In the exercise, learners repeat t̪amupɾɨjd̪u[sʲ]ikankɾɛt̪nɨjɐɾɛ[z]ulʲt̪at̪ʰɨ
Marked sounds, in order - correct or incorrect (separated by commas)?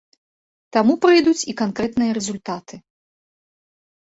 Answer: incorrect, correct